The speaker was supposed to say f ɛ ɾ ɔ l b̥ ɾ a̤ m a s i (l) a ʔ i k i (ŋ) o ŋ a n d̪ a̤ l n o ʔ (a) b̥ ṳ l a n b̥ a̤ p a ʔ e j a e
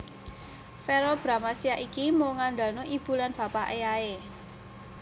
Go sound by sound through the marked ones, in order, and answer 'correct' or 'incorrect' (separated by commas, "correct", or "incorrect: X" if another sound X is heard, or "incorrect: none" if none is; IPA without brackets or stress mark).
incorrect: none, incorrect: m, incorrect: i